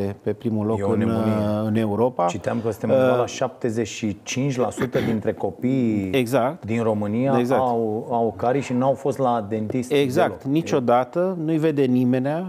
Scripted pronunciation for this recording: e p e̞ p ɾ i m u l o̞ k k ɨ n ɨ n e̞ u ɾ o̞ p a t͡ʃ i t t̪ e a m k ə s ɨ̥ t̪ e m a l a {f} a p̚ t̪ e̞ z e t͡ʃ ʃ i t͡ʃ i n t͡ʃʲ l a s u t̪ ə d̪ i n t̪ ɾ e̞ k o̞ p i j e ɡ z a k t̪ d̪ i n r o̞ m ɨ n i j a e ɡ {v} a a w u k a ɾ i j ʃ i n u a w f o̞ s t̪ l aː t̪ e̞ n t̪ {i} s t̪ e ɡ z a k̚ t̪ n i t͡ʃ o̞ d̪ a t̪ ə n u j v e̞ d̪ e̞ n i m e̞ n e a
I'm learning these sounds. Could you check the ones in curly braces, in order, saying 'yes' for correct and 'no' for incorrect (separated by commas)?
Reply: no, no, yes